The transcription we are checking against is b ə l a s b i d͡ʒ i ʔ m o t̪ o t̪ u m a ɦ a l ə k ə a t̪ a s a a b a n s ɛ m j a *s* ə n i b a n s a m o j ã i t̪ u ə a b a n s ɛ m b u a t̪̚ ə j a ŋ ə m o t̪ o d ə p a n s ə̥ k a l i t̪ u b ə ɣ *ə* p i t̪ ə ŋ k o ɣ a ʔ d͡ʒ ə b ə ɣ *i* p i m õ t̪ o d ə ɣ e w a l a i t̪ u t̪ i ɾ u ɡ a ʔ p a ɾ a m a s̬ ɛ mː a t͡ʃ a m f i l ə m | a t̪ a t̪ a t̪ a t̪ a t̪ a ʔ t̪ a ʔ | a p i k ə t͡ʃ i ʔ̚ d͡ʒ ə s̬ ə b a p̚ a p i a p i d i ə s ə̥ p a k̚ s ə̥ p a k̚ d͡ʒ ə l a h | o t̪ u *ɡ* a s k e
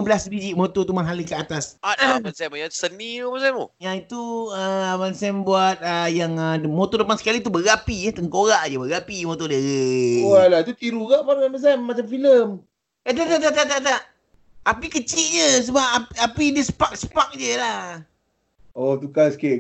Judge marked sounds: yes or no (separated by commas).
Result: yes, no, no, no